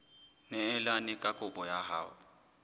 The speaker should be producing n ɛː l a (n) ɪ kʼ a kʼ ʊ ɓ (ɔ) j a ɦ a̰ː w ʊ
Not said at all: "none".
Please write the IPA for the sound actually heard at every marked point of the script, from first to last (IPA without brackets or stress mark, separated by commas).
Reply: n, ɔ